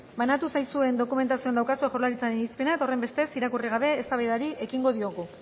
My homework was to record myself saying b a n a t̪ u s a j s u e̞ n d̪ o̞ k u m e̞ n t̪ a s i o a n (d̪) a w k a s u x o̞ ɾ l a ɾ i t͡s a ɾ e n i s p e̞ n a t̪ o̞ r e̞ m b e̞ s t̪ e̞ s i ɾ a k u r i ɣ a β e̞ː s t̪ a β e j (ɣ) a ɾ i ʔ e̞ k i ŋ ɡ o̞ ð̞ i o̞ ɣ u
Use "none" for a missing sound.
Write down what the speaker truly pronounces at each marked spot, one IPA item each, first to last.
d̪, ð

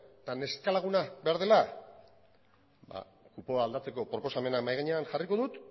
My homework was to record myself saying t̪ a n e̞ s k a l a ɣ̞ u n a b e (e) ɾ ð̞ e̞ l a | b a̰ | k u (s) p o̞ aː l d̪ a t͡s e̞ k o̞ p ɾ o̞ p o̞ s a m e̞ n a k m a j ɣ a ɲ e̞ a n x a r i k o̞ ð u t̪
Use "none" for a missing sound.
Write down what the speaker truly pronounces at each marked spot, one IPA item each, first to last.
a, none

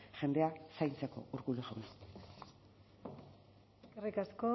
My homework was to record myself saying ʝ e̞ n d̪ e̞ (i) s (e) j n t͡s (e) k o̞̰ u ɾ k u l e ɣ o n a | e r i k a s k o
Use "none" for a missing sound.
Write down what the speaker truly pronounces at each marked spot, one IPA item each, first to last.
a, a, e

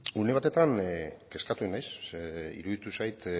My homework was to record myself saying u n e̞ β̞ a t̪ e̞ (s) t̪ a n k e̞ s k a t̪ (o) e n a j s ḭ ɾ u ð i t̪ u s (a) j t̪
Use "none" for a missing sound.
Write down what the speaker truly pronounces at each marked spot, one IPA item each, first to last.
none, u, a

